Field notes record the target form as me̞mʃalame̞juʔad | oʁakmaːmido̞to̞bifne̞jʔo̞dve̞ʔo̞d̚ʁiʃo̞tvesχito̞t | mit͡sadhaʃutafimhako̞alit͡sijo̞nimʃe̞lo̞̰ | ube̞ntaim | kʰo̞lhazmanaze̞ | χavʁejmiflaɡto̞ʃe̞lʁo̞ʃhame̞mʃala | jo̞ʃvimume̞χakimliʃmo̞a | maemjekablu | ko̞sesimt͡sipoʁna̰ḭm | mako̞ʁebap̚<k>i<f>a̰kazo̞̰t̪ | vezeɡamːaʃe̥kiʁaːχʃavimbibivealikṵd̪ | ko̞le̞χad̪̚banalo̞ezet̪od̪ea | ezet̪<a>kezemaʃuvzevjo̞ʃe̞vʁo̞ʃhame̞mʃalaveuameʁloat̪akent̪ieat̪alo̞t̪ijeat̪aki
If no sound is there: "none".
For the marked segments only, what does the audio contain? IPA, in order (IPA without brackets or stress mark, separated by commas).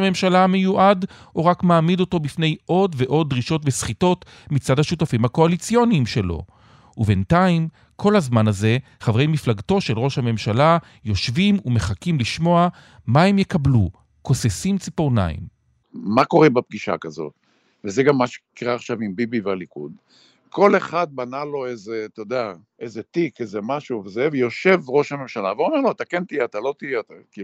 ɡ, ʃ, i